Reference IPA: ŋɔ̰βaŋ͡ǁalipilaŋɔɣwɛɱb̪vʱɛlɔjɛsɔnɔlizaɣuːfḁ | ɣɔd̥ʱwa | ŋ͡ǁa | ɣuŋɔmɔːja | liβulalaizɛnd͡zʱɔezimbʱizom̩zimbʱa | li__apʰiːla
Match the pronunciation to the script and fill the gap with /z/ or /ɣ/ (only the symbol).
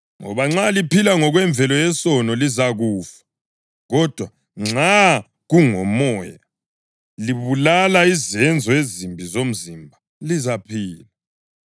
z